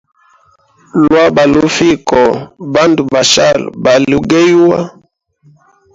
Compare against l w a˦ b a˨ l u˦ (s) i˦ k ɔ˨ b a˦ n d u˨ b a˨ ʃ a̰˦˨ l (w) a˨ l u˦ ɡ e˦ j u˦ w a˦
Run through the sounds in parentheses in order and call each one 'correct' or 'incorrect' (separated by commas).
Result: incorrect, incorrect